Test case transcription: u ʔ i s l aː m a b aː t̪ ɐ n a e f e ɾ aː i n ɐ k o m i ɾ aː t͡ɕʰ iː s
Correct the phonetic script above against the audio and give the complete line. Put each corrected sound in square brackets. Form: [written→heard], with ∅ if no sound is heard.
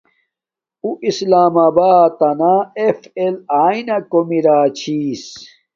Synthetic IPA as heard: u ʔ i s l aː m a b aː t̪ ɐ n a e f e [ɾ→l] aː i n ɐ k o m i ɾ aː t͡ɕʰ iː s